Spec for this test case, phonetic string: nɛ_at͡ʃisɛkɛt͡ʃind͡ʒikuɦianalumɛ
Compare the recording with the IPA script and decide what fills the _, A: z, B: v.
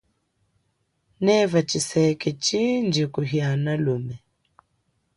B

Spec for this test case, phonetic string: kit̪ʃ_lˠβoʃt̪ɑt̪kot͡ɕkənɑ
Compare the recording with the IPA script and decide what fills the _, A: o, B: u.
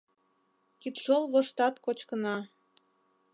A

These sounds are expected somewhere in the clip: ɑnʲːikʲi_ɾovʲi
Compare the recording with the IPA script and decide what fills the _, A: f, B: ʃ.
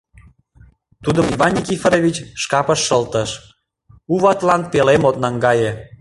A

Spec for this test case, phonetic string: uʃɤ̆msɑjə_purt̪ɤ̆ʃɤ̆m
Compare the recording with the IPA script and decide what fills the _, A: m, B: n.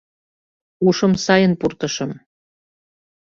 B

